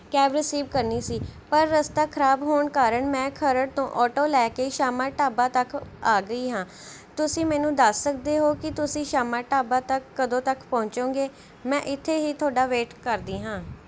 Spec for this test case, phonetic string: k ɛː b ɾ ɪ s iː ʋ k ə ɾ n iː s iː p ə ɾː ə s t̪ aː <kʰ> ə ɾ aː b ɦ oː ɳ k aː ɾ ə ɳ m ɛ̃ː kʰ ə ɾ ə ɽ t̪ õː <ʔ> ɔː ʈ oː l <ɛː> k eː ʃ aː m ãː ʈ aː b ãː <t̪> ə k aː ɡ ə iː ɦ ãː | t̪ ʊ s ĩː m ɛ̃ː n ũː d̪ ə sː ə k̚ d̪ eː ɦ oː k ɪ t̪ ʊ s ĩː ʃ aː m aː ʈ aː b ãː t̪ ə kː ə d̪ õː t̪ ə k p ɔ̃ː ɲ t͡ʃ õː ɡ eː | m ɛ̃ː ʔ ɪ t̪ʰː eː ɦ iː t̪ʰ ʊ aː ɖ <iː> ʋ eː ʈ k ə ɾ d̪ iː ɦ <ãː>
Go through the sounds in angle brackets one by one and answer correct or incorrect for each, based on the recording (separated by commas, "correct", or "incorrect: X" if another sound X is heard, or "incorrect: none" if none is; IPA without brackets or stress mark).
correct, correct, correct, correct, incorrect: aː, correct